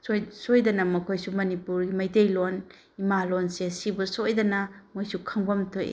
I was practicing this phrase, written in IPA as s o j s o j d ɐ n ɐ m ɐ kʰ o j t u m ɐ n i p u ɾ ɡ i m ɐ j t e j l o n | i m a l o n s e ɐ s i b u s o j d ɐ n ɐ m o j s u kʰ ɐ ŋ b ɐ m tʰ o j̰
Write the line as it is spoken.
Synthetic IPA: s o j s o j d ɐ n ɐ m ɐ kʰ o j s u m ɐ n i p u ɾ ɡ i m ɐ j t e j l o n | i m a l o n s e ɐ s i b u s o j d ɐ n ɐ m o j s u kʰ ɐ ŋ b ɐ m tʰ o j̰